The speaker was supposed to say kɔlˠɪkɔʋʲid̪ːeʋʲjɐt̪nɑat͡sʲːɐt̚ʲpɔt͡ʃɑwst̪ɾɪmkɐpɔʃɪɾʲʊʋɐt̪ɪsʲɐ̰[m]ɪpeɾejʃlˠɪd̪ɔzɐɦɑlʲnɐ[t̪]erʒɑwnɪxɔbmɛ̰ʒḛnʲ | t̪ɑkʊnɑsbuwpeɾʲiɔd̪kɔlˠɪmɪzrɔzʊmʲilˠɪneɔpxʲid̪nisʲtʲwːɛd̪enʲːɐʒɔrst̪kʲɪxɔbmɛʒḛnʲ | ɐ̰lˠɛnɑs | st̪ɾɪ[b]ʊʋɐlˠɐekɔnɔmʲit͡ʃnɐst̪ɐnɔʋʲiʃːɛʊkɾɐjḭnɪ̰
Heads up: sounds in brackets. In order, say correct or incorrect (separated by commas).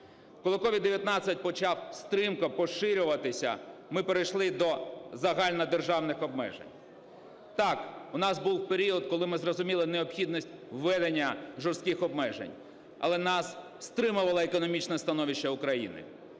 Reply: correct, incorrect, incorrect